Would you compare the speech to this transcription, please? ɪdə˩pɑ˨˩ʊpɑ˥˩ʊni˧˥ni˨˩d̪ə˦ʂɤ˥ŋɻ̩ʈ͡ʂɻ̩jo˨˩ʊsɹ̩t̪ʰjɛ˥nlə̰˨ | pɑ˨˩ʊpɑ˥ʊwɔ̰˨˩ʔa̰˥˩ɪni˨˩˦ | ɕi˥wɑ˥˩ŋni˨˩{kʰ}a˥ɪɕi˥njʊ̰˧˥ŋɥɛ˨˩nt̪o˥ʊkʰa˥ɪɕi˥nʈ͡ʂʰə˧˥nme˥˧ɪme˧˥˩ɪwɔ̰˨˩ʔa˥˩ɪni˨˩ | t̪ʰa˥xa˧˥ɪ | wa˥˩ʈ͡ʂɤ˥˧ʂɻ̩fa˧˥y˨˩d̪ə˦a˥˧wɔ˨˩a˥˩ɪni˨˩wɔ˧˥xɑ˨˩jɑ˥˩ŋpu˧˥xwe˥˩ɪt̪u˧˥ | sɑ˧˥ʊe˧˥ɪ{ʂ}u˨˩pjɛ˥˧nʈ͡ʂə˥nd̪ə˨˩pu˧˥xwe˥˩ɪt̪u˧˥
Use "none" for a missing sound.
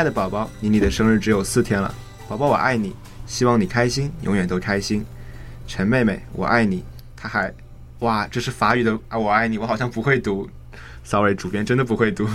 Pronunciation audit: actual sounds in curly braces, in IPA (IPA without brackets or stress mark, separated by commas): kʰ, ʈ͡ʂ